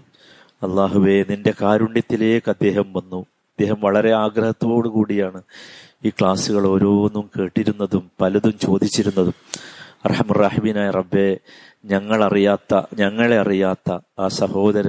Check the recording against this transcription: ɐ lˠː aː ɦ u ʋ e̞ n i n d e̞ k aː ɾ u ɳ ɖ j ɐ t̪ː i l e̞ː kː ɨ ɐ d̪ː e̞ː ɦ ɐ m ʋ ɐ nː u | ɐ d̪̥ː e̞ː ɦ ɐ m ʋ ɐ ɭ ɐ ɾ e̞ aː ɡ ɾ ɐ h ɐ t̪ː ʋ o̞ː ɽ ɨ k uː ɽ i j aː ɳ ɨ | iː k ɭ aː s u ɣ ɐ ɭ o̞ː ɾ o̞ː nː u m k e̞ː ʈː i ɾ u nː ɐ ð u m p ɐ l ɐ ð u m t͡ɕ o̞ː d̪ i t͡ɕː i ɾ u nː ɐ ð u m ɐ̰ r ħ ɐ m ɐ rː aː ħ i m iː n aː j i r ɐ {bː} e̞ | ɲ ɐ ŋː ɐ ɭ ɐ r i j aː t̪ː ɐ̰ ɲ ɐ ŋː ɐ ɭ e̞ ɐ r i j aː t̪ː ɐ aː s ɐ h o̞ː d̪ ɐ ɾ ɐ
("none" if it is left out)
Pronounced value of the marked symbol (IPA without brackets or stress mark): bː